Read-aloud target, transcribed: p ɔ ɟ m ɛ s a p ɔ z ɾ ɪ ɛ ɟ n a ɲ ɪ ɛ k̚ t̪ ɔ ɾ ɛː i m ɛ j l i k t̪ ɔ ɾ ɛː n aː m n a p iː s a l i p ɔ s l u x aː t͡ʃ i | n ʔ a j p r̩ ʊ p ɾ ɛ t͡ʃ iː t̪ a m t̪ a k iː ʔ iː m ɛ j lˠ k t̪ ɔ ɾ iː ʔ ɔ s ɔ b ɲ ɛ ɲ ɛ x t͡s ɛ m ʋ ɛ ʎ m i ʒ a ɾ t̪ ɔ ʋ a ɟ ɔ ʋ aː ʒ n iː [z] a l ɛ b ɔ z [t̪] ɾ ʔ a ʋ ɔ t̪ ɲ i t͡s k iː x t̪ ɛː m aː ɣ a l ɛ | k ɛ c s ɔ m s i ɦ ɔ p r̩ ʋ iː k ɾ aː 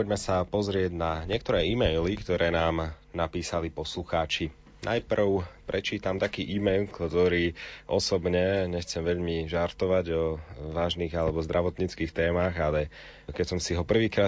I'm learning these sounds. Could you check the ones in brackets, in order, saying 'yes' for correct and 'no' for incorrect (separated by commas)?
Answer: no, no